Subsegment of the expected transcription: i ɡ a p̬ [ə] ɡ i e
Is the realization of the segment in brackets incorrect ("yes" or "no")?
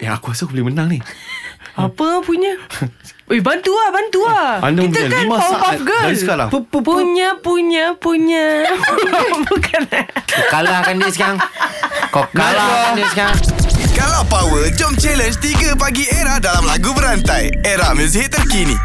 yes